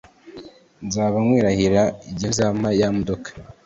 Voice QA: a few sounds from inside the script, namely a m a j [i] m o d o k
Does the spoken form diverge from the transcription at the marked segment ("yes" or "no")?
yes